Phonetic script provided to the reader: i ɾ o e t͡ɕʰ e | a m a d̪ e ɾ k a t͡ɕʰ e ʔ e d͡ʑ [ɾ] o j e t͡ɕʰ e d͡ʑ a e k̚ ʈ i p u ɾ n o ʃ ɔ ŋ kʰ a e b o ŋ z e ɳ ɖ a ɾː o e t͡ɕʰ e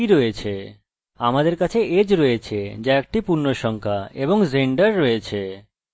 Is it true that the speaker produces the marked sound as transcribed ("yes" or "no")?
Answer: yes